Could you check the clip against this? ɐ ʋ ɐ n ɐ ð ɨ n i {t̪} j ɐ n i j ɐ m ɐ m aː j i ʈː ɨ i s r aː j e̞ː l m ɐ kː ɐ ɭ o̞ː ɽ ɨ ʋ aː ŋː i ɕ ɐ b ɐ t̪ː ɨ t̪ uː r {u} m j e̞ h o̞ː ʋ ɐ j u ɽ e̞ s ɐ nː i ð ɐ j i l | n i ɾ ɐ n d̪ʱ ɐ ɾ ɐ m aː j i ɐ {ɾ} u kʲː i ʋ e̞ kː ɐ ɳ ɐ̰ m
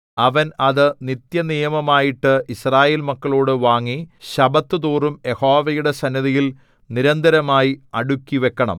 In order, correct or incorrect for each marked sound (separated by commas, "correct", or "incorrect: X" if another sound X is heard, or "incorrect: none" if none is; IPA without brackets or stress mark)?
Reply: correct, correct, incorrect: ɽ